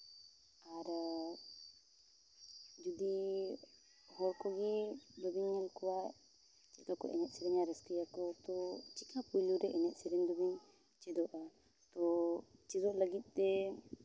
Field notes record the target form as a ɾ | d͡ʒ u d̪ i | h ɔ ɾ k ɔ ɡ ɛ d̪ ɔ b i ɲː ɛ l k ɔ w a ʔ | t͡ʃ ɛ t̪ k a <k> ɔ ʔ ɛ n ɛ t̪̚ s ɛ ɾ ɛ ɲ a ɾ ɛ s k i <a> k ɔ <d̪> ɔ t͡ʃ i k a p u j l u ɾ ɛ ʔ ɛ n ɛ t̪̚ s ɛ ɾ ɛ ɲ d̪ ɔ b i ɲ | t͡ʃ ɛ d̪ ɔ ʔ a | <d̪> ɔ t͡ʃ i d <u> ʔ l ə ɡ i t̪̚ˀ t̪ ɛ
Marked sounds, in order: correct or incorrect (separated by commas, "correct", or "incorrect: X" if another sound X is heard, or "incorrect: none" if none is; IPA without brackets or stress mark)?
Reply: correct, correct, incorrect: t̪, incorrect: t̪, incorrect: ɔ